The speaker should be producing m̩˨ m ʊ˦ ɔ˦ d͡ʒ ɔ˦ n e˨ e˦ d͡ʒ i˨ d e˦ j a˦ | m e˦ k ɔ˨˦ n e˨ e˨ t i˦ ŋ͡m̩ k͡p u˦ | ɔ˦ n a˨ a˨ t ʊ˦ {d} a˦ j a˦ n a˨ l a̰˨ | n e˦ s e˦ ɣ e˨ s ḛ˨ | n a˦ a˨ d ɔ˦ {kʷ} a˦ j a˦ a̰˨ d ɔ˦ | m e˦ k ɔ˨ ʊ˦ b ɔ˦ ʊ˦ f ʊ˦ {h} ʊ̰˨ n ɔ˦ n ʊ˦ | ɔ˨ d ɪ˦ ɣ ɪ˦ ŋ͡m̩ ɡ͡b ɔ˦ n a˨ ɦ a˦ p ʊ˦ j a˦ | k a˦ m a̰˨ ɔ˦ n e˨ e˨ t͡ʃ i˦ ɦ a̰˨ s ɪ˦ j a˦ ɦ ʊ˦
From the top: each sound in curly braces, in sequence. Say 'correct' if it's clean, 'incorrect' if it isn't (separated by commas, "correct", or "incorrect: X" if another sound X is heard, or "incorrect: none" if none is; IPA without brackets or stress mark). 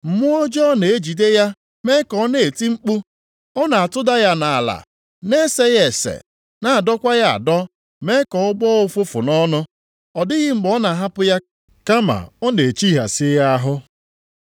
correct, correct, incorrect: f